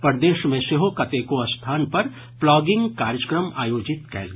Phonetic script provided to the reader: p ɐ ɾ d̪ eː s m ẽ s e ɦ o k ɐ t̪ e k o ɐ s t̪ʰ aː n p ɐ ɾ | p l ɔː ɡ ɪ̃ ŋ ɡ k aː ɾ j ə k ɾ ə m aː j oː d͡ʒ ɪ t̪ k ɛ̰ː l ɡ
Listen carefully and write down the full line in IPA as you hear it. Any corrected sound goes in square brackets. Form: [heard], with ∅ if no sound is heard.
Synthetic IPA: p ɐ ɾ d̪ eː [ʃ] m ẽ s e ɦ o k ɐ t̪ e k o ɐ s t̪ʰ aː n p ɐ ɾ | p l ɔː ɡ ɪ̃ ŋ ɡ k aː ɾ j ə k ɾ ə m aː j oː d͡ʒ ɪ t̪ k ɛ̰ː l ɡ